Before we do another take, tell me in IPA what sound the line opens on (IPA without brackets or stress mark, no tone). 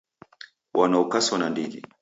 w